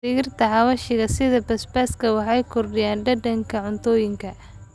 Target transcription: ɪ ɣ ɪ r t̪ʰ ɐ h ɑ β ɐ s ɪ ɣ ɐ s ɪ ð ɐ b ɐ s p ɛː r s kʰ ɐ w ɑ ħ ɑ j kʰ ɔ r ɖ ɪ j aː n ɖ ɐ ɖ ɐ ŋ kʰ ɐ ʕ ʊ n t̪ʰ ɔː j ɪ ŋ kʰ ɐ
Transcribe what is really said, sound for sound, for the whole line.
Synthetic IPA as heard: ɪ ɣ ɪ r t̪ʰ ɐ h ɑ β ɐ ʃ ɪ ɣ ɐ s ɪ ð ɐ b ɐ s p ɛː s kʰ ɐ w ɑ ħ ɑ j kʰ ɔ r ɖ ɪ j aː n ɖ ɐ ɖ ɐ ŋ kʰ ɐ ʕ ʊ n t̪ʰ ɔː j ɪ ŋ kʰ ɐ